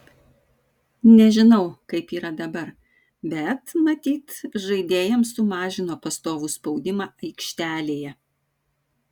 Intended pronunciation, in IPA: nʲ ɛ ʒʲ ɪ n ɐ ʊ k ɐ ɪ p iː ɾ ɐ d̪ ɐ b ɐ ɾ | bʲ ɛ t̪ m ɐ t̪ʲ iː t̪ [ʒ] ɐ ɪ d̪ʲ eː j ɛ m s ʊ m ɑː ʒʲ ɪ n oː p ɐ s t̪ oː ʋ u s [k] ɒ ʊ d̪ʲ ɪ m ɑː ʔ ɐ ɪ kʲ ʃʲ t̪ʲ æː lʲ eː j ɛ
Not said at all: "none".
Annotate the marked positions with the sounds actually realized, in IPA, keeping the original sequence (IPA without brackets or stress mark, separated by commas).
ʒ, p